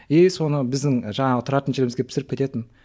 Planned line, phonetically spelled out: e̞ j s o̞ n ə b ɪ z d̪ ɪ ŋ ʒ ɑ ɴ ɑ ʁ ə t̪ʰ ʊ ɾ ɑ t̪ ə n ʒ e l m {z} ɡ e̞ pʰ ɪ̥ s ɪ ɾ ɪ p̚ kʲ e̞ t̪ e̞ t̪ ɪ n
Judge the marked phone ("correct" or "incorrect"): correct